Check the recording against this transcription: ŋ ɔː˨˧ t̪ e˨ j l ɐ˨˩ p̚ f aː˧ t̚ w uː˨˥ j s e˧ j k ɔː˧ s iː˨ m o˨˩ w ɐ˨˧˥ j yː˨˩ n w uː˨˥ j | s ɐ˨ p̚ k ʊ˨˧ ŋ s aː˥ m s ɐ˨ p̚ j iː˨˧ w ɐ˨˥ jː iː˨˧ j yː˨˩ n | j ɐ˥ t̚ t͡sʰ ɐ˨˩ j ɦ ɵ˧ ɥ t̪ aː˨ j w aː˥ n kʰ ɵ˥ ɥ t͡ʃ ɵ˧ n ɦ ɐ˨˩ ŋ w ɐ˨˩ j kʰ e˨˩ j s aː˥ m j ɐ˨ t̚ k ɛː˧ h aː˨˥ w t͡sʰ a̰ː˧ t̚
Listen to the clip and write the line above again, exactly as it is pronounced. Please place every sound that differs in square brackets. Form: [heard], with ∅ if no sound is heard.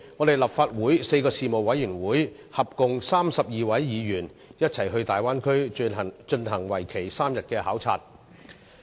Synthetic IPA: ŋ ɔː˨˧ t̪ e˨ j l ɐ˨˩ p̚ f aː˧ t̚ w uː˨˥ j s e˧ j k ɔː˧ s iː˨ m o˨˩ w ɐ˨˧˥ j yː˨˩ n w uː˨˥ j | [h] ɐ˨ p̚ k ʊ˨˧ ŋ s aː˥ m s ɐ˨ p̚ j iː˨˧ w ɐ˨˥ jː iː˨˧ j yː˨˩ n | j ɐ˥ t̚ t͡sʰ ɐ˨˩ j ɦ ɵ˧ ɥ t̪ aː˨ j w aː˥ n kʰ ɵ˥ ɥ t͡ʃ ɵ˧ n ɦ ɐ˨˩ ŋ w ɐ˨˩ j kʰ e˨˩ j s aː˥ m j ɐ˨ t̚ k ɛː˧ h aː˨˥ w t͡sʰ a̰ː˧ t̚